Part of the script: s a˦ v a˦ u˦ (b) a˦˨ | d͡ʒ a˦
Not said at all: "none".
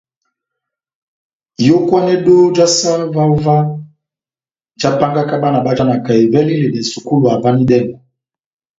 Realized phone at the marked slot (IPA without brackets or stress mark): v